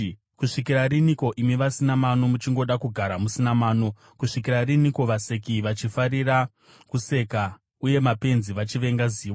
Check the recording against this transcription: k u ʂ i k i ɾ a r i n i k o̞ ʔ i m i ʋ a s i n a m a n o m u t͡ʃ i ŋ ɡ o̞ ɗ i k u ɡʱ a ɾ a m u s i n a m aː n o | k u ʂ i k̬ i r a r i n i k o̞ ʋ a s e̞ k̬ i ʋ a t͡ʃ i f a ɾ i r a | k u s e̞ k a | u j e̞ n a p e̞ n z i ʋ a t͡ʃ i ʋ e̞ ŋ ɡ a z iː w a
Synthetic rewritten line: k u ʂ i k i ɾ a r i n i k o̞ ʔ i m i ʋ a s i n a m a n o m u t͡ʃ i ŋ ɡ o̞ ɗ a k u ɡʱ a ɾ a m u s i n a m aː n o | k u ʂ i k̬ i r a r i n i k o̞ ʋ a s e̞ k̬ i ʋ a t͡ʃ i f a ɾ i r a | k u s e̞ k a | u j e̞ m a p e̞ n z i ʋ a t͡ʃ i ʋ e̞ ŋ ɡ a z iː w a